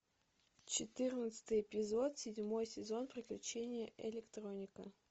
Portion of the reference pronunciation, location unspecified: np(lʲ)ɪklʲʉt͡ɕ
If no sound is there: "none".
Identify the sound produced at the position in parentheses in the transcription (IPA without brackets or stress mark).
ɾʲ